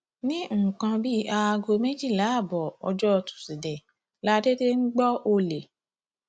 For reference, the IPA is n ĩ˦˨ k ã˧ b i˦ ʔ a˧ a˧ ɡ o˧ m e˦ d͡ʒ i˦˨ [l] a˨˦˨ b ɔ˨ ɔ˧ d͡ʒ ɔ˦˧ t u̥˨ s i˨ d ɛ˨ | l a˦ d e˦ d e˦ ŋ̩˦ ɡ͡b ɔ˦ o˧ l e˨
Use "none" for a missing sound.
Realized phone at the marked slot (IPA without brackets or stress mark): l